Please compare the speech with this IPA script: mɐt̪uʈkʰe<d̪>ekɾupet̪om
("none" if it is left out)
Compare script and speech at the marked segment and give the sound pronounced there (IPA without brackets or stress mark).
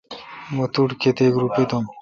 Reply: t̪